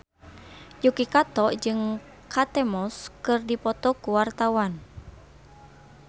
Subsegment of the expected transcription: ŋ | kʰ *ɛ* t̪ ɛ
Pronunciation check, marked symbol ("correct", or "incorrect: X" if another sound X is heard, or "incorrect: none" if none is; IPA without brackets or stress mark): incorrect: a